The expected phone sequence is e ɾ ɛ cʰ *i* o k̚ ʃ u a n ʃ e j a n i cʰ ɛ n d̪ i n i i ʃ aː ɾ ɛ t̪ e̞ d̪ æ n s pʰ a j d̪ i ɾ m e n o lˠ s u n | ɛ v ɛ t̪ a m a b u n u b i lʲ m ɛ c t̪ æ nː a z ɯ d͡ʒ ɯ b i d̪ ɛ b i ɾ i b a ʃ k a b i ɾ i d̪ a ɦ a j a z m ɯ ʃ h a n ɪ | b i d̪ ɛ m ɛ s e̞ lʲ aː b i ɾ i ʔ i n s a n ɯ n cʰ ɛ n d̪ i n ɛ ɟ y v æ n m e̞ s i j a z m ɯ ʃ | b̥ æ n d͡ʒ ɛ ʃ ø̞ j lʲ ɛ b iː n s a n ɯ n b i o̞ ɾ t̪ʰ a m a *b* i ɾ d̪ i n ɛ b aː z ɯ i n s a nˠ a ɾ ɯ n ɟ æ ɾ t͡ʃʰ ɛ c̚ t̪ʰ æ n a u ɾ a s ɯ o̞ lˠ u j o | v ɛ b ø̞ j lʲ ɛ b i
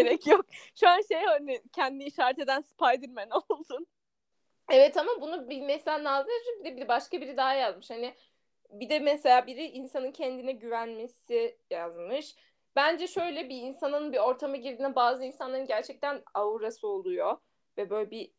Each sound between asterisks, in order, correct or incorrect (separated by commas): incorrect, incorrect